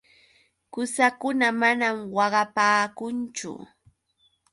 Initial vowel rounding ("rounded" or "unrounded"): rounded